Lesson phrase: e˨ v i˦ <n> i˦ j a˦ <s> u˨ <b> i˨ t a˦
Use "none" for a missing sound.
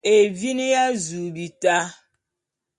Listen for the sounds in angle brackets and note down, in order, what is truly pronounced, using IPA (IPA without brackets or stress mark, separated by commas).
n, z, b